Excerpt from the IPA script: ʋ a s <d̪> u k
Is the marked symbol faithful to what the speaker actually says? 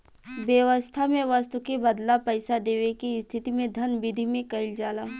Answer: no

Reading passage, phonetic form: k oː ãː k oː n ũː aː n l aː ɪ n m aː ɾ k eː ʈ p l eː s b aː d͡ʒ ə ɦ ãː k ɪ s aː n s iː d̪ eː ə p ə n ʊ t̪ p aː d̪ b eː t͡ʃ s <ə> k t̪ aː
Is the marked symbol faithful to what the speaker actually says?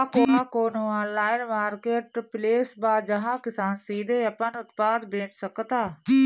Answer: yes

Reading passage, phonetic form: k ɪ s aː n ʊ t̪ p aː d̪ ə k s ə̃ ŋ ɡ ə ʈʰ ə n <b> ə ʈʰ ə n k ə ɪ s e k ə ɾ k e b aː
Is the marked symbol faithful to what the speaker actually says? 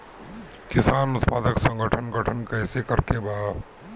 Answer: no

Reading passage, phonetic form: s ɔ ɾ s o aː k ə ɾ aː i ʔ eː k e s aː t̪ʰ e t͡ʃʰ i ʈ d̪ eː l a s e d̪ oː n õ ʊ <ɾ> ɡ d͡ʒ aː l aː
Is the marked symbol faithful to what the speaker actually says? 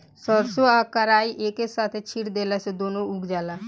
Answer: no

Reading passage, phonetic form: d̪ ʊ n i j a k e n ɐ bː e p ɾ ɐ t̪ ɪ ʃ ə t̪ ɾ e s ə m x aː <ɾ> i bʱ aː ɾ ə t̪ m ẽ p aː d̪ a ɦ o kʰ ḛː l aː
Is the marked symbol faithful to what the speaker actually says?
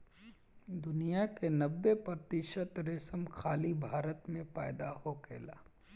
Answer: no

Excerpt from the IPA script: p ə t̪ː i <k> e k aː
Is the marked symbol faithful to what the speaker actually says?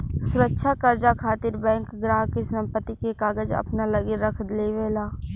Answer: yes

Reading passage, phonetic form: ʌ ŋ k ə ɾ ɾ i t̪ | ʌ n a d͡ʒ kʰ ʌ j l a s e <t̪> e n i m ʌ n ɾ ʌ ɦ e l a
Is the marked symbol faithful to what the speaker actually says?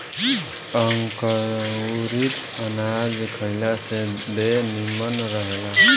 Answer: no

